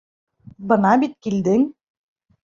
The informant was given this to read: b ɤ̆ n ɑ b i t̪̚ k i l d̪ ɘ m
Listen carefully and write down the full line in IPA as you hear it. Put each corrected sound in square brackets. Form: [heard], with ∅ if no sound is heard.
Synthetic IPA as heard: b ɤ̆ n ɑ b i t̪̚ k i l d̪ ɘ [ŋ]